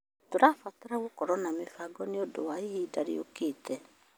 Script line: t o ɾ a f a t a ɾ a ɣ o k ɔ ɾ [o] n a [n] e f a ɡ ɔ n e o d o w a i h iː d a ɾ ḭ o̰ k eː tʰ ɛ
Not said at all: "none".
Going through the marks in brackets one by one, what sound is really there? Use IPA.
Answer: ɔ, m

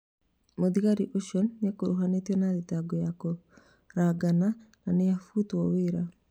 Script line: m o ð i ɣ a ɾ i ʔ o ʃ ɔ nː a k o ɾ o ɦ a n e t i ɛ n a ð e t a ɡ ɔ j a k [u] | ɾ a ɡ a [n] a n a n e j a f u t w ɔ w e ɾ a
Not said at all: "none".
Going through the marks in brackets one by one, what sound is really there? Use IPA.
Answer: o, n

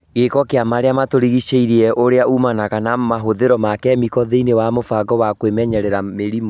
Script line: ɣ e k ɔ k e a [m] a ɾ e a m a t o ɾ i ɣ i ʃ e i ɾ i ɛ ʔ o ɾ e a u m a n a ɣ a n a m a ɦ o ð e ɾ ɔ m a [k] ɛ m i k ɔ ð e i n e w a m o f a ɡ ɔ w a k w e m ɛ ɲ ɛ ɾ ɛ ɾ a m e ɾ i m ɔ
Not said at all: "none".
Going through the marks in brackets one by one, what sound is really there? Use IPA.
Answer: m, k

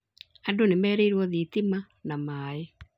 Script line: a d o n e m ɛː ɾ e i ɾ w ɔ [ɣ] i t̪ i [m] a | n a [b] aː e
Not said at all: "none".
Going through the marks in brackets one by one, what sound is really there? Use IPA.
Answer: ð, m, m

